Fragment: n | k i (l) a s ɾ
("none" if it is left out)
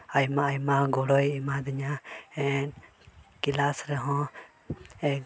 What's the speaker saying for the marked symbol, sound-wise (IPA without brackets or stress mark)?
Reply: l